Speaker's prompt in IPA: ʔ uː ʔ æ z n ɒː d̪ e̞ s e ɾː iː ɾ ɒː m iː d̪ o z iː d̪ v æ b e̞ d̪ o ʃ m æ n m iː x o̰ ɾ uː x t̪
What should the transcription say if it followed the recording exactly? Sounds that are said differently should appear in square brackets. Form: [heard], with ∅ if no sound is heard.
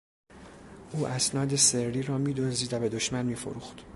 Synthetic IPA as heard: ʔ uː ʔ æ [s] n ɒː d̪ e̞ s e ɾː iː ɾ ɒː m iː d̪ o z iː d̪ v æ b e̞ d̪ o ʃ m æ n m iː [f] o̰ ɾ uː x t̪